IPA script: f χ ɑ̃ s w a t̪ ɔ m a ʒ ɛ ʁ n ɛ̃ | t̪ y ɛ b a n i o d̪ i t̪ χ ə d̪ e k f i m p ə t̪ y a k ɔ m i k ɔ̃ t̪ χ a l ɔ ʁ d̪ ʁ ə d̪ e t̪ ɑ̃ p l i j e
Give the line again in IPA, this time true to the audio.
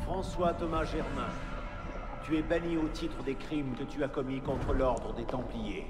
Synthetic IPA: f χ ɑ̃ s w a t̪ ɔ m a ʒ ɛ ʁ m ɛ̃ | t̪ y ɛ b a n i o t̪ i t̪ χ ə d̪ e k χ i m k ə t̪ y a k ɔ m i k ɔ̃ t̪ χ ə l ɔ ʁ d̪ ʁ ə d̪ e t̪ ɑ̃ p l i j e

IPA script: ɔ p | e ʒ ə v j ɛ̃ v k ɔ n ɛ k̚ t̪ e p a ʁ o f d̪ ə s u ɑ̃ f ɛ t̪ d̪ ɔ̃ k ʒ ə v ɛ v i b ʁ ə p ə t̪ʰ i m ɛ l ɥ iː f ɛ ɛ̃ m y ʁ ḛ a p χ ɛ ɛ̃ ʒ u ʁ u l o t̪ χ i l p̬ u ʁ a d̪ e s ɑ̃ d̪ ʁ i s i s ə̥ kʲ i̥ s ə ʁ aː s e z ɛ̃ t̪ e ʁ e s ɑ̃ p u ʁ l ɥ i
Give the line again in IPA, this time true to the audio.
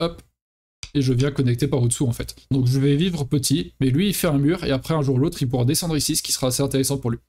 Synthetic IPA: ɔ p | e ʒ ə v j ɛ̃ k ɔ n ɛ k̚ t̪ e p a ʁ o d̪ ə s u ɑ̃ f ɛ t̪ d̪ ɔ̃ k ʒ ə v ɛ v i v ʁ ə p ə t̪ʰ i m ɛ l ɥ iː f ɛ ɛ̃ m y ʁ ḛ a p χ ɛ ɛ̃ ʒ u ʁ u l o t̪ χ i l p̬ u ʁ a d̪ e s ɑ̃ d̪ ʁ i s i s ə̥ kʲ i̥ s ə ʁ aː s e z ɛ̃ t̪ e ʁ e s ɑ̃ p u ʁ l ɥ i

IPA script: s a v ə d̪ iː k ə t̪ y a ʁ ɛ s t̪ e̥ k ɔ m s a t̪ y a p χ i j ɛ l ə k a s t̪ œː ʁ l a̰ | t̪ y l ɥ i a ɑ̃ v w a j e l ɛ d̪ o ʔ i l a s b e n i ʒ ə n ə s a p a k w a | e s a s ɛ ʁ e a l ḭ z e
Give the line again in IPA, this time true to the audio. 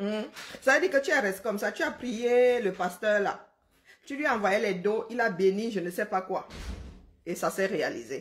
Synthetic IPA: s a v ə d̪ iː k ə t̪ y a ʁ ɛ s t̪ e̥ k ɔ m s a t̪ y a p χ i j e l ə p a s t̪ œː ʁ l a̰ | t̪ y l ɥ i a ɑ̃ v w a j e l ɛ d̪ o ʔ i l a b e n i ʒ ə n ə s ɛ p a k w a | e s a s ɛ ʁ e a l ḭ z e

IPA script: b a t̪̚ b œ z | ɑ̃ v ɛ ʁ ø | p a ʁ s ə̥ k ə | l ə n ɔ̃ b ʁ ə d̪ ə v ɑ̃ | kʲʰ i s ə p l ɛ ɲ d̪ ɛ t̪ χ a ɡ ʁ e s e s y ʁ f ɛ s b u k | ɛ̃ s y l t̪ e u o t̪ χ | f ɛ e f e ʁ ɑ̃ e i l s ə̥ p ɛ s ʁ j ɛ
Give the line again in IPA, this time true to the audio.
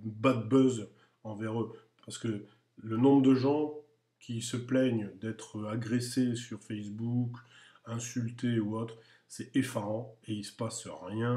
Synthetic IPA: b a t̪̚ b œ z | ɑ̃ v ɛ ʁ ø | p a ʁ s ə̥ k ə | l ə n ɔ̃ b ʁ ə d̪ ə ʒ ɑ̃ | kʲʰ i s ə p l ɛ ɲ d̪ ɛ t̪ χ a ɡ ʁ e s e s y ʁ f ɛ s b u k | ɛ̃ s y l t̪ e u o t̪ χ | s ɛ e f a ʁ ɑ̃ e i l s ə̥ p a s ʁ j ɛ̃

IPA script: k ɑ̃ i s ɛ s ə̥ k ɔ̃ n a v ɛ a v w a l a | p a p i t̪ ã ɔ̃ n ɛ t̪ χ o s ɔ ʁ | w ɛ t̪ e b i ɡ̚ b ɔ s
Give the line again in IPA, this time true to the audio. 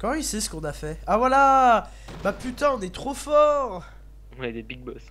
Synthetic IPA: k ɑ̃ i s ɛ s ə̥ k ɔ̃ n a f ɛ a v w a l a | b a p y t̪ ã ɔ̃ n ɛ t̪ χ o f ɔ ʁ | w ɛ d̪ e b i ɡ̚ b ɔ s

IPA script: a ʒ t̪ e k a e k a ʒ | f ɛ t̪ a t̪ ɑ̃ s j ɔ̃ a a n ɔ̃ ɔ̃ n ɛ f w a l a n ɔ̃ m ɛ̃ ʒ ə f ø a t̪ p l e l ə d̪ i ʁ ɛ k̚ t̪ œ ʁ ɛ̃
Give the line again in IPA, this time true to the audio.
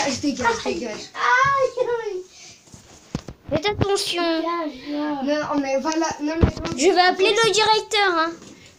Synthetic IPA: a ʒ t̪ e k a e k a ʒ | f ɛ t̪ a t̪ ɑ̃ s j ɔ̃ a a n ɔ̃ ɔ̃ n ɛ v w a l a n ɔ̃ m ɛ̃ ʒ ə v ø a p l e l ə d̪ i ʁ ɛ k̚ t̪ œ ʁ ɛ̃

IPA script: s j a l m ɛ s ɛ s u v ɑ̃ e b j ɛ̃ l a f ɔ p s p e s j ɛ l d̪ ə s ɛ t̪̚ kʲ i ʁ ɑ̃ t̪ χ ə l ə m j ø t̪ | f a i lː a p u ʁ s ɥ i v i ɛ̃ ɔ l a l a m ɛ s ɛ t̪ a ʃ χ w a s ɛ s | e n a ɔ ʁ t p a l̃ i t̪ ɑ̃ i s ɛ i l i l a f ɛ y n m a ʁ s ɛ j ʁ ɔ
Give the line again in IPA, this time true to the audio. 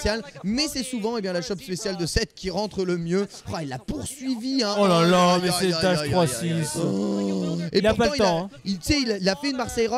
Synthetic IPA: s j a l m ɛ s ɛ s u v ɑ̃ e b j ɛ̃ l a ʃ ɔ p s p e s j a l d̪ ə s ɛ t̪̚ kʲ i ʁ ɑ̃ t̪ χ ə l ə m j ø | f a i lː a p u ʁ s ɥ i v i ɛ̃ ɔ l a l a m ɛ s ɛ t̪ a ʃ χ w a s i s | e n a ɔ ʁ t p a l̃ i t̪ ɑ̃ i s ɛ i l i l a f ɛ y n m a ʁ s ɛ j ʁ ɔ

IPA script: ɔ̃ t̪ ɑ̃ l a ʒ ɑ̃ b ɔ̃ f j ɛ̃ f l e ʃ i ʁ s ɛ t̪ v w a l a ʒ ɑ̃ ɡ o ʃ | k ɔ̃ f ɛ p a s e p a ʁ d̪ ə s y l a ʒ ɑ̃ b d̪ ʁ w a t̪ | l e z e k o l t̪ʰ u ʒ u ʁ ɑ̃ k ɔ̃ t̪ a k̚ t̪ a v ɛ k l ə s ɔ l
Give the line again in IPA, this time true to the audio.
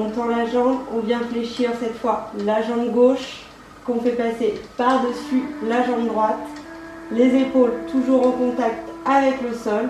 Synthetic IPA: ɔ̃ t̪ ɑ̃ l a ʒ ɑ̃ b ɔ̃ v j ɛ̃ f l e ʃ i ʁ s ɛ t̪ f w a l a ʒ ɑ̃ ɡ o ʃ | k ɔ̃ f ɛ p a s e p a ʁ d̪ ə s y l a ʒ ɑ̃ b d̪ ʁ w a t̪ | l e z e p o l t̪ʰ u ʒ u ʁ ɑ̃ k ɔ̃ t̪ a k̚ t̪ a v ɛ k l ə s ɔ l

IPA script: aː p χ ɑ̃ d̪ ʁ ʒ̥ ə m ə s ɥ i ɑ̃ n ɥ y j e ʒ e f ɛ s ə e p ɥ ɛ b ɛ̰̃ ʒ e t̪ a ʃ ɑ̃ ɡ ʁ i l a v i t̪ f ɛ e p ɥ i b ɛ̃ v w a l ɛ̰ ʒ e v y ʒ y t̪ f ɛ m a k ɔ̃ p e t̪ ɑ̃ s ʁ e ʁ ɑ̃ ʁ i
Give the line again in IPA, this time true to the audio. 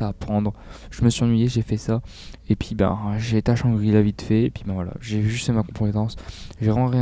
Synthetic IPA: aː p χ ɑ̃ d̪ ʁ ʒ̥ ə m ə s ɥ i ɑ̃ n ɥ i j e ʒ e f ɛ s a e p ɥ i b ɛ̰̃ ʒ e t̪ a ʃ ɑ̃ ɡ ʁ i l a v i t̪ f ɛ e p ɥ i b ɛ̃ v w a l a̰ ʒ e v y ʒ y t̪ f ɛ m a k ɔ̃ p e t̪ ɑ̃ s ʒ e ʁ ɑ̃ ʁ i

